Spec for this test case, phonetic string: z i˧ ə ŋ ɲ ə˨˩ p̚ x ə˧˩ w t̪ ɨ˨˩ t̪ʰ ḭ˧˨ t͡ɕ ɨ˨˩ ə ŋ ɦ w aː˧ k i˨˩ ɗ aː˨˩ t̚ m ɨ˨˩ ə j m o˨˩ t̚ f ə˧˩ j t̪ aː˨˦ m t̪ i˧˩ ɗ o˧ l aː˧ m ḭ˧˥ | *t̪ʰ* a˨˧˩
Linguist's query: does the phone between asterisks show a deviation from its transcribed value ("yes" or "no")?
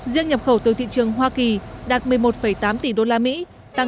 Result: yes